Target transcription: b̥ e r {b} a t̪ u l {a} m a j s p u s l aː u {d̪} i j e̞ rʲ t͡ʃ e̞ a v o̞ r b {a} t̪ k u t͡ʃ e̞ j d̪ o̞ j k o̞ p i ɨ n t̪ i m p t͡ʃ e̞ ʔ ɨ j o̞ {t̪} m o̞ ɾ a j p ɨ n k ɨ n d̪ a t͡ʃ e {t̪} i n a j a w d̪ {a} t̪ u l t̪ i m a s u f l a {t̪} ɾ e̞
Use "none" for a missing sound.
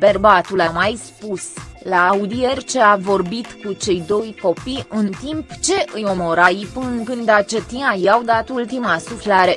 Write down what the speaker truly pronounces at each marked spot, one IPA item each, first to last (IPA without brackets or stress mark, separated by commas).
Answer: b, a, d̪, i, none, t̪, a, none